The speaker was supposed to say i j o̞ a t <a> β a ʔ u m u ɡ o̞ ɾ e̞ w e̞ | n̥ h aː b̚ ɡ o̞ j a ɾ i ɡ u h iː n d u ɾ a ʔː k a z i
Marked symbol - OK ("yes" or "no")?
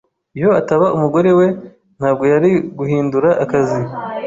yes